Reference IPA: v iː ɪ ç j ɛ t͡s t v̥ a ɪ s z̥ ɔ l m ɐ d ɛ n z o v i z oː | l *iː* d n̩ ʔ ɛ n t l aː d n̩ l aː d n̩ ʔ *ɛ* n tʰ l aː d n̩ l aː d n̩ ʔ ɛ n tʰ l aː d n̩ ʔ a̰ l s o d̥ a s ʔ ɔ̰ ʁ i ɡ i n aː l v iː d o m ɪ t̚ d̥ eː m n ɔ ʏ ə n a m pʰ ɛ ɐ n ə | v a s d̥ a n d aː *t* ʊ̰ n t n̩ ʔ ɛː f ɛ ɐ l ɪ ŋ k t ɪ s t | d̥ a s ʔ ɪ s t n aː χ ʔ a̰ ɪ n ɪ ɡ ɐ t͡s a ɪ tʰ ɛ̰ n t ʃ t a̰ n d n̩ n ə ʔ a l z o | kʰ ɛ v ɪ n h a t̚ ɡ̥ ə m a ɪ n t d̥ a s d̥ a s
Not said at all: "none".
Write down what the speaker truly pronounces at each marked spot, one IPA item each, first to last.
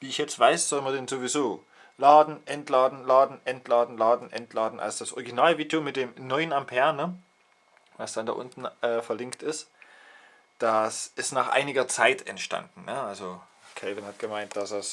aː, ɛ, ʔ

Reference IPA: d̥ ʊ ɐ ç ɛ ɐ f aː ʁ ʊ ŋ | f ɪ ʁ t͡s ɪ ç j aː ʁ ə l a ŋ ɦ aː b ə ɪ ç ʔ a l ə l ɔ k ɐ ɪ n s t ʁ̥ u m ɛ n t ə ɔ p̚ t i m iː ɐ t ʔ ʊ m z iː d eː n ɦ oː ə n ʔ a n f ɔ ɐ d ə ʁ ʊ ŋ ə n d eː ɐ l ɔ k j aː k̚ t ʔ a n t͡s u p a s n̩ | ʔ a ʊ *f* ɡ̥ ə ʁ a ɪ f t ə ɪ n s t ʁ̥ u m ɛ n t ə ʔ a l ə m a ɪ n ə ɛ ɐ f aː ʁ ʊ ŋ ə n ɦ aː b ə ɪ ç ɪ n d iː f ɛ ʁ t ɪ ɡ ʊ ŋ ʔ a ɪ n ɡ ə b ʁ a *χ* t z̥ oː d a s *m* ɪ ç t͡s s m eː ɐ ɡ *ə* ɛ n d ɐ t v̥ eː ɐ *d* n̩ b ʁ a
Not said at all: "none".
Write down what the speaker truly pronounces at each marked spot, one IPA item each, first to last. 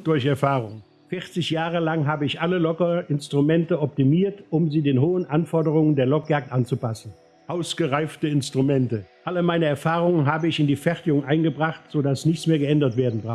s, χ, n, ə, d

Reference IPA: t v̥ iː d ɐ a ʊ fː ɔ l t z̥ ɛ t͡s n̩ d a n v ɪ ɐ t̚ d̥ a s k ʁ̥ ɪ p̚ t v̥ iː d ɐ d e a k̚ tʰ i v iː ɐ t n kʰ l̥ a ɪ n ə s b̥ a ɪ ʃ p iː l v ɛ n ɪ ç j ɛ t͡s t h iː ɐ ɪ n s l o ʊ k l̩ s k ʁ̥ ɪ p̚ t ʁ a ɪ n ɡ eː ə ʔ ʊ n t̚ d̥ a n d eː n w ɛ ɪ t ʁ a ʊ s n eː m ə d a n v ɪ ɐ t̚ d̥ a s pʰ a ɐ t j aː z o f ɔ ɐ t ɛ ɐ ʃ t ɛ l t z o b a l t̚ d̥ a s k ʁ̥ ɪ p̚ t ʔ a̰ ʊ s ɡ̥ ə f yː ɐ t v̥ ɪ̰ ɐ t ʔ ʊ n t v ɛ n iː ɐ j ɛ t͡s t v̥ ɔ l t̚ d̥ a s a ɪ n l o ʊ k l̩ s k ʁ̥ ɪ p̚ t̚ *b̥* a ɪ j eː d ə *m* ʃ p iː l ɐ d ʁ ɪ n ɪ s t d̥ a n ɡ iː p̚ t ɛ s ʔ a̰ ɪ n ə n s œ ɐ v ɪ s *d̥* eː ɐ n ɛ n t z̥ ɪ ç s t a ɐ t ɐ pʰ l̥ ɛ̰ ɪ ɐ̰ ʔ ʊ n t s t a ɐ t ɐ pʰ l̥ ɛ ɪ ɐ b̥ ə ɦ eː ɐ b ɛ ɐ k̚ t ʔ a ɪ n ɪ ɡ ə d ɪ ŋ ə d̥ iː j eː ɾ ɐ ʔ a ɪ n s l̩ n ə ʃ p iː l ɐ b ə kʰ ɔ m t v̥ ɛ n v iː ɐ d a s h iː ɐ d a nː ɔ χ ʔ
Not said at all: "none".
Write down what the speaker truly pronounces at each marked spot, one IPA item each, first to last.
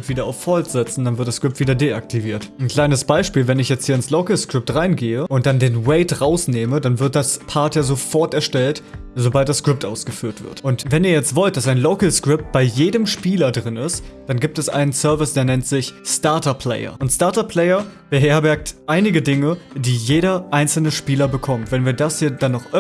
b̥, m, d̥

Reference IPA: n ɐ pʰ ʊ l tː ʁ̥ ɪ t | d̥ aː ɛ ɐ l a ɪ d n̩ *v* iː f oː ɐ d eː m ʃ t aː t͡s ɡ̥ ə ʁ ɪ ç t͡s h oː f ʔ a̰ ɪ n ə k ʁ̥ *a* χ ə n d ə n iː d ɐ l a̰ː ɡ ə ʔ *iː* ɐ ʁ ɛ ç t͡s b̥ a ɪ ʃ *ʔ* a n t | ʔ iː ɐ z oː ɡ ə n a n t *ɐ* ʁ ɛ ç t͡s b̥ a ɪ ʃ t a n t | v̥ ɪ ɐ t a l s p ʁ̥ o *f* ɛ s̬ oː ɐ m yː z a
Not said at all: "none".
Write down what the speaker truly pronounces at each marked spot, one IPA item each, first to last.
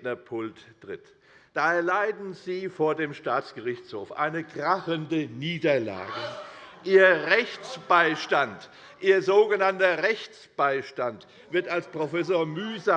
z, a, iː, t, ɐ, f

